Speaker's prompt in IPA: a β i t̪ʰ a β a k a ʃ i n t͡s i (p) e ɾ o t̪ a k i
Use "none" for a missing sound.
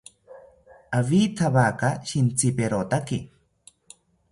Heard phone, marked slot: p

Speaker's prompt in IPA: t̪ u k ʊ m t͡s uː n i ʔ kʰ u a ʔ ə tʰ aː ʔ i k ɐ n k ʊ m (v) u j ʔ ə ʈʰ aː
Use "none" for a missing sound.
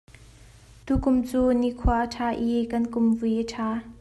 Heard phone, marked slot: v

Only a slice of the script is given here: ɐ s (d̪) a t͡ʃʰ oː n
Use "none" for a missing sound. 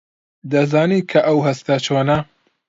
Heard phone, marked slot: t̪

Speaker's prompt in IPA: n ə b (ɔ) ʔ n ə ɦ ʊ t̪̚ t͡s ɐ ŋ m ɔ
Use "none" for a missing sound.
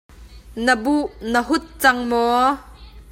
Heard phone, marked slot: u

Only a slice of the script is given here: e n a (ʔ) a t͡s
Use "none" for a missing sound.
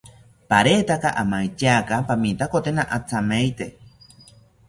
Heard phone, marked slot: ʔ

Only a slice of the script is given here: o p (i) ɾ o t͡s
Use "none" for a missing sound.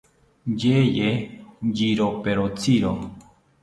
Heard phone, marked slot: e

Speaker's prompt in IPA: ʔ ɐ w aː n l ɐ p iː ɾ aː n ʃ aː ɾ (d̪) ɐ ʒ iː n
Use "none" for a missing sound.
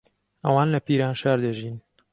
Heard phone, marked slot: d̪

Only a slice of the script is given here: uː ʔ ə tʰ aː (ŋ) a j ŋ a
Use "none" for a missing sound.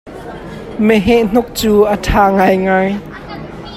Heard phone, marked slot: ŋ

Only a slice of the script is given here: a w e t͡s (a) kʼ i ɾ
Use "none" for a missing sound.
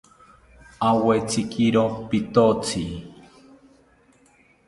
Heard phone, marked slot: i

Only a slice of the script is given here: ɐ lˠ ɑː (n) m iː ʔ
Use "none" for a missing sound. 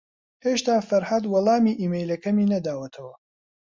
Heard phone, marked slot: none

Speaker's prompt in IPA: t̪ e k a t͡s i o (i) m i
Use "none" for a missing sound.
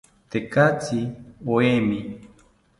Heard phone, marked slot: e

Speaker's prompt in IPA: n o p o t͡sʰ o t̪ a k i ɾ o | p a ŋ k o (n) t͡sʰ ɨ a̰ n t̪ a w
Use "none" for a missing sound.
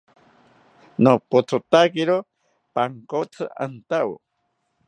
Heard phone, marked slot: none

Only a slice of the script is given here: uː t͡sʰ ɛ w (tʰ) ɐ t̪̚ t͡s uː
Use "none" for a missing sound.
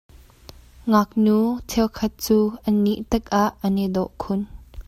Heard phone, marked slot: kʰ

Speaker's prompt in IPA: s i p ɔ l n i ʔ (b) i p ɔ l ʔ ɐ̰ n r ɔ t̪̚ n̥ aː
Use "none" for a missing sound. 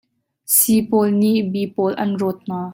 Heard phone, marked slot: b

